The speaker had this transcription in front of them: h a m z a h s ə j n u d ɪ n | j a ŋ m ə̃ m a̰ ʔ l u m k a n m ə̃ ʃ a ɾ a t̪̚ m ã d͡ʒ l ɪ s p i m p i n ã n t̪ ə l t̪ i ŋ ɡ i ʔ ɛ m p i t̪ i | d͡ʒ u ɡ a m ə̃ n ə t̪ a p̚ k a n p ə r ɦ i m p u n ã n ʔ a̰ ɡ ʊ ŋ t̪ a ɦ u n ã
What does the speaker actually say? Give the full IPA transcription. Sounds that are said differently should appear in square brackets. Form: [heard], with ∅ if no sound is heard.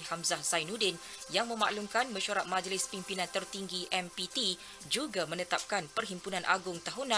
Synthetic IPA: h a m z a h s [a] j n u d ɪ n | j a ŋ m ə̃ m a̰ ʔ l u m k a n m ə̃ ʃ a ɾ a t̪̚ m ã d͡ʒ l ɪ s p i m p i n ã n t̪ ə [r] t̪ i ŋ ɡ i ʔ ɛ m p i t̪ i | d͡ʒ u ɡ a m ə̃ n ə t̪ a p̚ k a n p ə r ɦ i m p u n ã n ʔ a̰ ɡ ʊ ŋ t̪ a ɦ u n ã

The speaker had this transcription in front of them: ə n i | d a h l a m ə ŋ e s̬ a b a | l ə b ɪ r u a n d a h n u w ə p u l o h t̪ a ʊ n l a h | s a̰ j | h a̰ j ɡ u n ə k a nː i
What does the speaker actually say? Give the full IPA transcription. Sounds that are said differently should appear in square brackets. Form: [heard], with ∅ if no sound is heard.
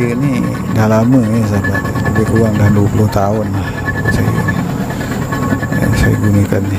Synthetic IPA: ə n i | d a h l a m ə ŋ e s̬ a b a | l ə b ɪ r u a [ŋ] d a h [d] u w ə p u l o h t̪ a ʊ n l a h | s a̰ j | [s] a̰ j ɡ u n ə k a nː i

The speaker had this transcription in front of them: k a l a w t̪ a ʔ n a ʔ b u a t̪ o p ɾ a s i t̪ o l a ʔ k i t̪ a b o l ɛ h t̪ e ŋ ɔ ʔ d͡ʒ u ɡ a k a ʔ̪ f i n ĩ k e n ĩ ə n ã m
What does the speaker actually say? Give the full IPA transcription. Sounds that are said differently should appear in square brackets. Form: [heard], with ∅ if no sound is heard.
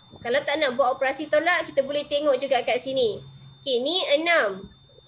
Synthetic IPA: k a l a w t̪ a ʔ n a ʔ b u a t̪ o p ɾ a s i t̪ o l a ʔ k i t̪ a b o l ɛ h t̪ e ŋ ɔ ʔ d͡ʒ u ɡ a k a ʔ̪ [s] i n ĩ k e n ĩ ə n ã m

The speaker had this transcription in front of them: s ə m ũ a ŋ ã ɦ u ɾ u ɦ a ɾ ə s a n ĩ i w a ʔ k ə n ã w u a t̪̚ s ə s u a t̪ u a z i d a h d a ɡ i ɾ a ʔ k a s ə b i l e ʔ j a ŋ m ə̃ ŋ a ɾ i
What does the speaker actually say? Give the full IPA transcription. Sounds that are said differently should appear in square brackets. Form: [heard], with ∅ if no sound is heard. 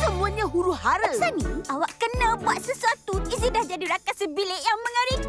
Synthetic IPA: s ə m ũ a [ɲ] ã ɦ u ɾ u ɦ a ɾ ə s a n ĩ [a] w a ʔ k ə n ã [b] u a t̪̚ s ə s u a t̪ u [i] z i d a h [d͡ʒ] a [d] i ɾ a [∅] k a s ə b i l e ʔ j a ŋ m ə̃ ŋ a ɾ i

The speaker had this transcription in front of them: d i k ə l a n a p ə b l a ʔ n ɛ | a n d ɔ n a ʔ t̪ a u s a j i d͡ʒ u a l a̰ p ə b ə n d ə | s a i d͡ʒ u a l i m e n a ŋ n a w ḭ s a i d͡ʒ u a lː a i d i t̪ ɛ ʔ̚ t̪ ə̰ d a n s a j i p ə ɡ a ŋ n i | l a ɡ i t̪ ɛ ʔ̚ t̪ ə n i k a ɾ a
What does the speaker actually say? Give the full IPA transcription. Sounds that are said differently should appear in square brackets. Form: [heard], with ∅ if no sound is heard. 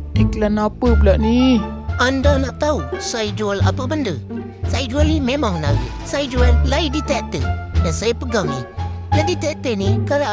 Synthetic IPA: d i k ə l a n a p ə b l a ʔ n [i] | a n d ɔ n a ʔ t̪ a u s a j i d͡ʒ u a l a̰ p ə b ə n d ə | s a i d͡ʒ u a l i m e [m] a ŋ n a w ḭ s a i d͡ʒ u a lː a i d i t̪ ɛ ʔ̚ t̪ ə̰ d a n s a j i p ə ɡ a ŋ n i | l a [d] i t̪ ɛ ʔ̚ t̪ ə n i k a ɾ a

